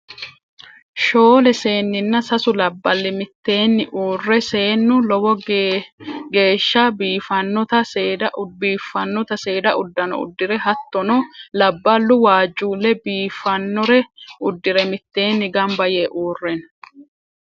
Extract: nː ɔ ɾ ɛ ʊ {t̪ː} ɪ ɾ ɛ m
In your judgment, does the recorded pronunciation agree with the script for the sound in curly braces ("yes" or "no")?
no